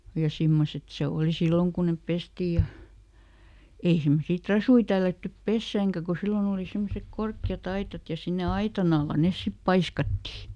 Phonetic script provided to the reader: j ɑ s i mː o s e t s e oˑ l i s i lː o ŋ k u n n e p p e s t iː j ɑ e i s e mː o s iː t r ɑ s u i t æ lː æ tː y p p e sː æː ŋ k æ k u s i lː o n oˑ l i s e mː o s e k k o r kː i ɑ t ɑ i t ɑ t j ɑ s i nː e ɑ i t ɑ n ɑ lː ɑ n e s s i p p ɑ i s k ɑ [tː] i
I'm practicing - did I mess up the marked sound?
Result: no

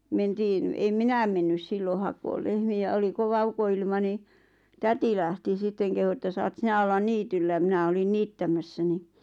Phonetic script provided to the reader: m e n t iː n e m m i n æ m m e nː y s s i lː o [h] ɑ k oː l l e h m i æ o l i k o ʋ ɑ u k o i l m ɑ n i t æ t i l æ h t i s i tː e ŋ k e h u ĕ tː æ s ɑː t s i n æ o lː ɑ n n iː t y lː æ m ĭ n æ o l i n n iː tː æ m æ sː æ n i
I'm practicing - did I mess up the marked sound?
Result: no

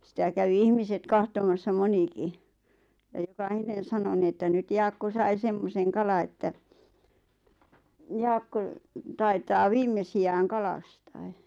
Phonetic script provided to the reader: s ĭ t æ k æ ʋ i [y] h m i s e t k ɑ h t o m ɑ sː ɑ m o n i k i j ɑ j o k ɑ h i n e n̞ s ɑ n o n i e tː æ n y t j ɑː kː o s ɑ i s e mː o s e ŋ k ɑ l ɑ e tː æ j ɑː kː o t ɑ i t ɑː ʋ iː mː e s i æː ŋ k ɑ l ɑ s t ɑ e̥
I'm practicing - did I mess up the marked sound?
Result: yes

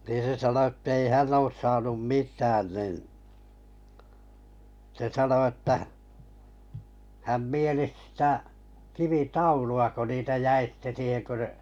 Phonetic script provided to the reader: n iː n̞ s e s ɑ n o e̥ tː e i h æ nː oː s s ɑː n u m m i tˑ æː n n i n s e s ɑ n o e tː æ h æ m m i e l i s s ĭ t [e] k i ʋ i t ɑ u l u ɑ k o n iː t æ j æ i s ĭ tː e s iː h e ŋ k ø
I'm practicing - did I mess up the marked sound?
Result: yes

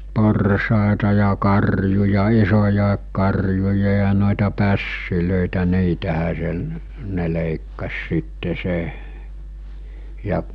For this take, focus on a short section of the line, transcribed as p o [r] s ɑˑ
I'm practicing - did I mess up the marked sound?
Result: no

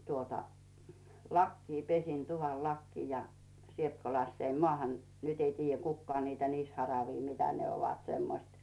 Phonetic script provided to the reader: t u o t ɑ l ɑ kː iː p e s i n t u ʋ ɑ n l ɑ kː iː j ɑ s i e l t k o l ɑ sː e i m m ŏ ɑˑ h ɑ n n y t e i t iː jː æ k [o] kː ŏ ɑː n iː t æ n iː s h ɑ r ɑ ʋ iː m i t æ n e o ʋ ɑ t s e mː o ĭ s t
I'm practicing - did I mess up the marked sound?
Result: yes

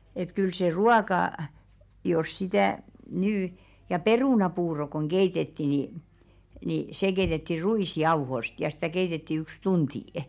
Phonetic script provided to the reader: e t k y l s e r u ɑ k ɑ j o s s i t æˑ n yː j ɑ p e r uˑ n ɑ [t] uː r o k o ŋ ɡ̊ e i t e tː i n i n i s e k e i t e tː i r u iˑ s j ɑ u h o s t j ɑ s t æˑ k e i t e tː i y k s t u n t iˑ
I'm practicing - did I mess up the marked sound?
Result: yes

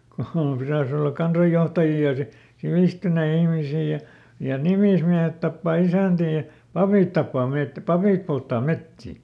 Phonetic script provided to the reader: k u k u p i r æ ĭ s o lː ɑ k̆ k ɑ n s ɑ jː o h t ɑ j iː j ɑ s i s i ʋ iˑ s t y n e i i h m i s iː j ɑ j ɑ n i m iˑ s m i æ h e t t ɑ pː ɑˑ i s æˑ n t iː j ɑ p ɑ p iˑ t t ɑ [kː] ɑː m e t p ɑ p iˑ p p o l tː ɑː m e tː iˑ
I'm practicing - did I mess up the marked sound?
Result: yes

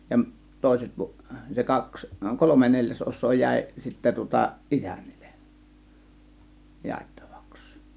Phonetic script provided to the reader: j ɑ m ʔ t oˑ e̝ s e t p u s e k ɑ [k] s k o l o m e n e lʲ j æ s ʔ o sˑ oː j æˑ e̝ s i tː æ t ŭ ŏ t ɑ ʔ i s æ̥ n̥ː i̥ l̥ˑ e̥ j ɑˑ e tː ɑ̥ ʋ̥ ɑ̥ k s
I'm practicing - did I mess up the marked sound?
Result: no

